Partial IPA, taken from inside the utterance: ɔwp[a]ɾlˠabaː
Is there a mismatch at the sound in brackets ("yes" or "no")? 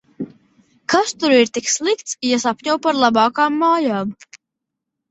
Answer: no